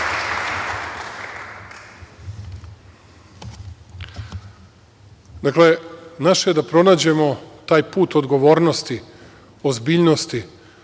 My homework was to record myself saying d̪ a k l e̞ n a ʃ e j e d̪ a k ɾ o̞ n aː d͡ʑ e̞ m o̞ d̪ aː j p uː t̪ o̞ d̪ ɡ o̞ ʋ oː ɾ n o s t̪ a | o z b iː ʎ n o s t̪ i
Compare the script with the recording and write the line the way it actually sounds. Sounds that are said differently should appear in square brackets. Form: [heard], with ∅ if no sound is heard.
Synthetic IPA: d̪ a k l e̞ n a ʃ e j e d̪ a [p] ɾ o̞ n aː d͡ʑ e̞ m o̞ [t̪] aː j p uː t̪ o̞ d̪ ɡ o̞ ʋ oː ɾ n o s t̪ [i] | o z b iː ʎ n o s t̪ i